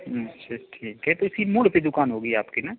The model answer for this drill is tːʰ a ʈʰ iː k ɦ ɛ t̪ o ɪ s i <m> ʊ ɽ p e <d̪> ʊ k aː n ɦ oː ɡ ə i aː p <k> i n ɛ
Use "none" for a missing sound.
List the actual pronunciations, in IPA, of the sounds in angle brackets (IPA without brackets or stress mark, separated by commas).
m, d̪, k